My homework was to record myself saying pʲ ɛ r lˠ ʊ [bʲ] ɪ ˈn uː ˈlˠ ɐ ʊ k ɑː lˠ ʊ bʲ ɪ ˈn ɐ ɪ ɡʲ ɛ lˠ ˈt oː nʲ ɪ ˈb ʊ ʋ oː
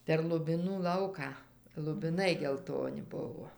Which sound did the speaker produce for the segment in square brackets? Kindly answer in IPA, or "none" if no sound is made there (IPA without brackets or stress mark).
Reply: bʲ